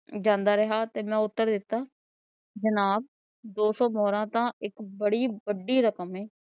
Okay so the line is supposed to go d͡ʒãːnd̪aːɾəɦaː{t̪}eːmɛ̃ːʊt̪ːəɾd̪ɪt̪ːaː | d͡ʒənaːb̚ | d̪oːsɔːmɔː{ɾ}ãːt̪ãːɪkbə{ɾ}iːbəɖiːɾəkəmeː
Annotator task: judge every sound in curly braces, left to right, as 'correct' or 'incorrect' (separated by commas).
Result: correct, correct, incorrect